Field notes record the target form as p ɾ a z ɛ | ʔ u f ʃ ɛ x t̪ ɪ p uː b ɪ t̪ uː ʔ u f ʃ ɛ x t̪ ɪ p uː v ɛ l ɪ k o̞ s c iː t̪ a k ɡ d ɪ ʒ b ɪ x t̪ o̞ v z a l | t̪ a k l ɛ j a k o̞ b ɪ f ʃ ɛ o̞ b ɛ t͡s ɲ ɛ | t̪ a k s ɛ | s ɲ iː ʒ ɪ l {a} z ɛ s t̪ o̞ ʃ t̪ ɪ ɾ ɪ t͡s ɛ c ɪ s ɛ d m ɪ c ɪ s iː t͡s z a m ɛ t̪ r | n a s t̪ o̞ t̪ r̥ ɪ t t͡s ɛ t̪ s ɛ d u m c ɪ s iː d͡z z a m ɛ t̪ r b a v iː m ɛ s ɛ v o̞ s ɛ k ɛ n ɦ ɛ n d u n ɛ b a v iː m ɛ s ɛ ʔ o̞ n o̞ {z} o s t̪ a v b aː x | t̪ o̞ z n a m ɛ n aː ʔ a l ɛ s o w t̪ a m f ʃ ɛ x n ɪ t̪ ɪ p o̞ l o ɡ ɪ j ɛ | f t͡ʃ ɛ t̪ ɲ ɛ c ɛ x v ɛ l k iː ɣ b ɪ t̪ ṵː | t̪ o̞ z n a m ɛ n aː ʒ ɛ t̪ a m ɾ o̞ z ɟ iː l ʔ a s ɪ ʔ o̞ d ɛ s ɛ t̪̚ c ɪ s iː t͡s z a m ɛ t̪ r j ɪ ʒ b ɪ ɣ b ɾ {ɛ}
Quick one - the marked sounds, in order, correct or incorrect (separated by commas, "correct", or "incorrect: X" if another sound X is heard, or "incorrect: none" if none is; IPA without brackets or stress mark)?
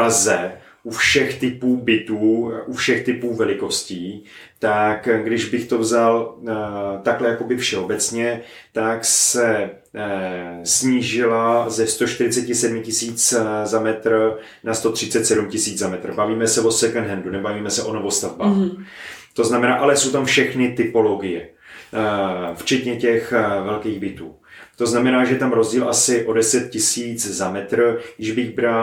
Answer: correct, incorrect: v, incorrect: a